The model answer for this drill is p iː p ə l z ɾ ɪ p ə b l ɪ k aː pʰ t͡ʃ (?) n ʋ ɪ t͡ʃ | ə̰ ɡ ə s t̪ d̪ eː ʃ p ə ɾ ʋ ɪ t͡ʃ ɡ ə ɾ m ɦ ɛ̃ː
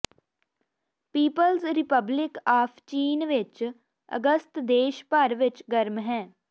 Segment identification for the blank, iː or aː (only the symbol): iː